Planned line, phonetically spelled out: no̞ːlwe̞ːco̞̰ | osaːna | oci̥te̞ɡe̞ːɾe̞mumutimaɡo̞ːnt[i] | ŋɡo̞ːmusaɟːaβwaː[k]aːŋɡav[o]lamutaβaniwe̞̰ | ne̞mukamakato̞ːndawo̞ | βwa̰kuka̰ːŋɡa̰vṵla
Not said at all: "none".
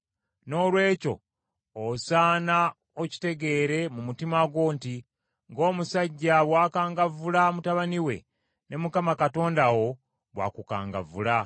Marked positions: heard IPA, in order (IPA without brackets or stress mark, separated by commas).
i, k, u